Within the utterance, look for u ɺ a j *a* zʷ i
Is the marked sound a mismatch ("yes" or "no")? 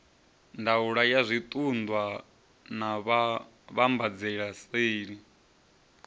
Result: no